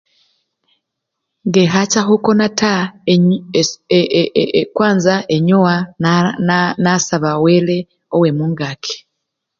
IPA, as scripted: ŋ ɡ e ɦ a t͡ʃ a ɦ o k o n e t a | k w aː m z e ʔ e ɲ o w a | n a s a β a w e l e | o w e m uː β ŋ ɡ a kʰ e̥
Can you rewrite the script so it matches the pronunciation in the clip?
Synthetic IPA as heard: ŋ ɡ e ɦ a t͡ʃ a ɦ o k o n a t a | k w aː n z a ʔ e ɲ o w a | n a s a β a w e l e | o w e m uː ŋ ɡ a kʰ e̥